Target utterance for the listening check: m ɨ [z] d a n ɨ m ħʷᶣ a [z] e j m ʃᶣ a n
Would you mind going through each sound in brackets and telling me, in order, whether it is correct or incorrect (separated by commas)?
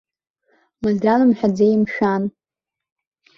correct, incorrect